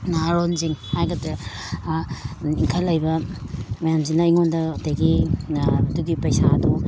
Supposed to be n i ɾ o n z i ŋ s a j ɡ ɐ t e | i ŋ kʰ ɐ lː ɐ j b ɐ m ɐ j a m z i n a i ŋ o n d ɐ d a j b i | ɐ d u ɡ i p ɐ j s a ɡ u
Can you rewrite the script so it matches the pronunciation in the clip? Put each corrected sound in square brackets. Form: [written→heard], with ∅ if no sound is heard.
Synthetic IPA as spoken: n [i→a] ɾ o n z i ŋ [s→h] a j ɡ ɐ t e | i ŋ kʰ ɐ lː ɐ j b ɐ m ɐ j a m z i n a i ŋ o n d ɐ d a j [b→ɡ] i | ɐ d u ɡ i p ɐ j s a [ɡ→d] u

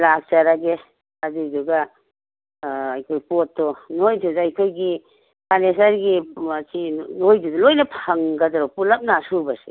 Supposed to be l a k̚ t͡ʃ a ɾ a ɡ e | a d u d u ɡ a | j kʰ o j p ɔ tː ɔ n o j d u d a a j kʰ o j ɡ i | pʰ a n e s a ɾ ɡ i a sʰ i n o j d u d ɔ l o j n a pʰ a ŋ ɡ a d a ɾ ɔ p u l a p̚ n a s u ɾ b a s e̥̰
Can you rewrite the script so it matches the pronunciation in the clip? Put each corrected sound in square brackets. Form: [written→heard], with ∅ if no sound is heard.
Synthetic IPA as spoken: l a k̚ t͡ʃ a ɾ a ɡ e | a d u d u ɡ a | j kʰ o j p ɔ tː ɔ n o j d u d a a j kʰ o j ɡ i | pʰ a n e s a ɾ ɡ i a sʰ i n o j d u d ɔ l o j n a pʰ a ŋ ɡ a d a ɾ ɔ p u l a p̚ n a s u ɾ b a s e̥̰

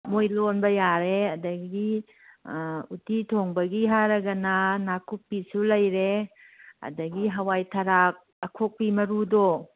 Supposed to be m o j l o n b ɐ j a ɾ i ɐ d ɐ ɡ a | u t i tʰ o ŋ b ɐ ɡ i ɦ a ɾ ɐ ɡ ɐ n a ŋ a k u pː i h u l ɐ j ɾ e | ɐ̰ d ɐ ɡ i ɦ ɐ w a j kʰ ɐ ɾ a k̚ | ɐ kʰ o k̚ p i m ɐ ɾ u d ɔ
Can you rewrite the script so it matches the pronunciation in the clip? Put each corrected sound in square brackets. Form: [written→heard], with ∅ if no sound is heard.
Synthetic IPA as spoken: m o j l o n b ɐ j a ɾ [i→e] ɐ d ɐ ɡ [a→i] | u t i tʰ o ŋ b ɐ ɡ i ɦ a ɾ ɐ ɡ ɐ n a [ŋ→n] a k u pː i [h→s] u l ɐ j ɾ e | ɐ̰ d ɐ ɡ i ɦ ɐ w a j [kʰ→tʰ] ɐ ɾ a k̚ | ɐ kʰ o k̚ p i m ɐ ɾ u d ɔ

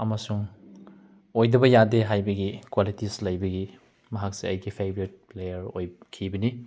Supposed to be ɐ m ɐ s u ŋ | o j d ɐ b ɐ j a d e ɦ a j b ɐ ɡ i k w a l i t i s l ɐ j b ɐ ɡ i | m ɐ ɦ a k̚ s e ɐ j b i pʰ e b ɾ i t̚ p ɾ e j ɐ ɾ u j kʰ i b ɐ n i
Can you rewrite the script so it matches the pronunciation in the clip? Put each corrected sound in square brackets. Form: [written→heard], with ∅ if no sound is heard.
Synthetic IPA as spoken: ɐ m ɐ s u ŋ | o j d ɐ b ɐ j a d e ɦ a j b ɐ ɡ i k w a l i t i s l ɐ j b ɐ ɡ i | m ɐ ɦ a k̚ s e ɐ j [b→ɡ] i pʰ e b ɾ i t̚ p [ɾ→l] e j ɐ ɾ [u→o] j kʰ i b ɐ n i

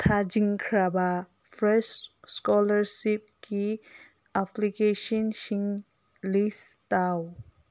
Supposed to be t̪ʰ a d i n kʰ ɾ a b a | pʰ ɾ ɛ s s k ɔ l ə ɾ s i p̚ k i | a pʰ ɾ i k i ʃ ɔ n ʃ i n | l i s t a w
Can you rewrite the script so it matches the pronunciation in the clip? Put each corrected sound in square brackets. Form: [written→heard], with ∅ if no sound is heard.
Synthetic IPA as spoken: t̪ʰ a [d→d͡ʒ] i [n→ŋ] kʰ ɾ a b a | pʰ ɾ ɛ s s k ɔ l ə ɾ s i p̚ k i | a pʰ [ɾ→l] i k [i→e] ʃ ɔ n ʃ i [n→ŋ] | l i s t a w

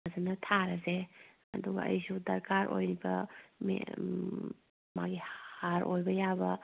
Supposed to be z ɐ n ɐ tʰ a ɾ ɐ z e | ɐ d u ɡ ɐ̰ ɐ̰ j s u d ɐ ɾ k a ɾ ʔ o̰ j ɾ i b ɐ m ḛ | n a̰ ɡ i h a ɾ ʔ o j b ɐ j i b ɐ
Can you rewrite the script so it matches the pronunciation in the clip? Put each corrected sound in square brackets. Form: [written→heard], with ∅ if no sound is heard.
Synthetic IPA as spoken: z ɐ n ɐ tʰ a ɾ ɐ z e | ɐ d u ɡ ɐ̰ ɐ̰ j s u d ɐ ɾ k a ɾ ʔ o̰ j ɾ i b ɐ m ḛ | [n→m] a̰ ɡ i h a ɾ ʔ o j b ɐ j [i→a] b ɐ

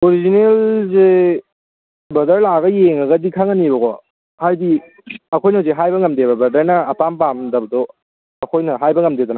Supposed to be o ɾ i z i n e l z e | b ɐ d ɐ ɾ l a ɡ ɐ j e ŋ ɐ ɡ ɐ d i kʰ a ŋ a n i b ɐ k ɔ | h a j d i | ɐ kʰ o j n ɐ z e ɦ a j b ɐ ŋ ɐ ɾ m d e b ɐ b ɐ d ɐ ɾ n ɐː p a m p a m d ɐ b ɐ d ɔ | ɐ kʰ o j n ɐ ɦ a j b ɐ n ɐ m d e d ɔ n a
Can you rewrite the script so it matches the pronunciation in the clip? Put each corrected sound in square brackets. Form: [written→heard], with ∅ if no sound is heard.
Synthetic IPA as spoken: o ɾ i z i n e l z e | b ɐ d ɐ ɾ l a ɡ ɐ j e ŋ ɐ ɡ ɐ d i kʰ a ŋ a n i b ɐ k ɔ | h a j d i | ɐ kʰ o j n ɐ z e ɦ a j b ɐ ŋ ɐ [ɾ→∅] m d e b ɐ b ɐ d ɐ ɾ n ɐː p a m p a m d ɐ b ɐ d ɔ | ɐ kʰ o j n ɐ ɦ a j b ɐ [n→ŋ] ɐ m d e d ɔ n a

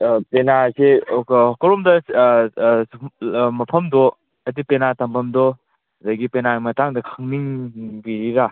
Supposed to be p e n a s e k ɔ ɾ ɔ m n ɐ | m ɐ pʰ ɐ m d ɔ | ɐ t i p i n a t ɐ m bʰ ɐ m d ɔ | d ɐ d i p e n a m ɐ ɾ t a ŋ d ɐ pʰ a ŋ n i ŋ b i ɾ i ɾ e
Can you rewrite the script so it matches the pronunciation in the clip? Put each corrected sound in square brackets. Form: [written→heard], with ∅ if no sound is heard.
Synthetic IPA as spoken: p e n a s e k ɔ ɾ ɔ m [n→d] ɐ | m ɐ pʰ ɐ m d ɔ | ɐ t i p [i→e] n a t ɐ m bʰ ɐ m d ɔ | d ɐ [d→ɡ] i p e n a m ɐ [ɾ→∅] t a ŋ d ɐ [pʰ→kʰ] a ŋ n i ŋ b i ɾ i ɾ [e→a]

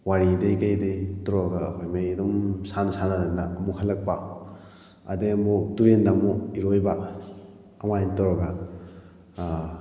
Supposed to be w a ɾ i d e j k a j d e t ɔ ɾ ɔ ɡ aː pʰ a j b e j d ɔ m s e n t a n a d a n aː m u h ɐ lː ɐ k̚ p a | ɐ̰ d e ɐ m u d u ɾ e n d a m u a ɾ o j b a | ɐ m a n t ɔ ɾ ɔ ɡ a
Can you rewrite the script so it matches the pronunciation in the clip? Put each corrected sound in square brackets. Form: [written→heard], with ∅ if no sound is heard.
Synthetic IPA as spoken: w a ɾ i d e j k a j d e t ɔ ɾ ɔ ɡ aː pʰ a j [b→m] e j d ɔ m s [e→a] n [t→s] a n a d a n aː m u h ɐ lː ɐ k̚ p a | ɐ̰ d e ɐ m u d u ɾ e n d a m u [a→i] ɾ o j b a | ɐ m a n t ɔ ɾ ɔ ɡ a

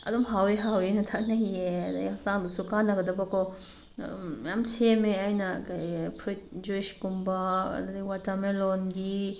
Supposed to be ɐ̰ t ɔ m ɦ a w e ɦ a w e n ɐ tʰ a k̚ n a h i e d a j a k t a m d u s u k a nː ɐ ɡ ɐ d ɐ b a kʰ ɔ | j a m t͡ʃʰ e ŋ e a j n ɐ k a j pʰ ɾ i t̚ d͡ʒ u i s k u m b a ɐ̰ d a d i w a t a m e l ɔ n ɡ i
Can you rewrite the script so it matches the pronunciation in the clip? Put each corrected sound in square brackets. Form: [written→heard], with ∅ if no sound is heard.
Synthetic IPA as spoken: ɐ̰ [t→d] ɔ m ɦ a w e ɦ a w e n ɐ tʰ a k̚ n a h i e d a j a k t a [m→ŋ] d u s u k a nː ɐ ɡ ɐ d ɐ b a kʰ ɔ | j a m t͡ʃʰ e [ŋ→m] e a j n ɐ k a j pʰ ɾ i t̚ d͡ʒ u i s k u m b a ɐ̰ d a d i w a t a m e l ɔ n ɡ i

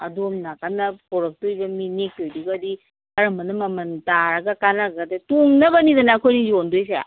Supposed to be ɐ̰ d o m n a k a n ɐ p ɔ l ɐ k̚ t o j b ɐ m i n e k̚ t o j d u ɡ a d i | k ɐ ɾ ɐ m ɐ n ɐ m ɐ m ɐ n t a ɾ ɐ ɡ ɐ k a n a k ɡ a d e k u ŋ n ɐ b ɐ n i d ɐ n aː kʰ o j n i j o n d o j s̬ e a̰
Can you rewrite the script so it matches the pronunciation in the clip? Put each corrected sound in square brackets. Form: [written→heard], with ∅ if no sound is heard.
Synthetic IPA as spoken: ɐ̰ d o m n a k a n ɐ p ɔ [l→ɾ] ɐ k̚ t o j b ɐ m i n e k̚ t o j d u ɡ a d i | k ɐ ɾ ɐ m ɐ n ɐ m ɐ m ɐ n t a ɾ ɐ ɡ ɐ k a n a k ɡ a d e [k→t] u ŋ n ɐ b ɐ n i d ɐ n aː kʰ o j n i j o n d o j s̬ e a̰

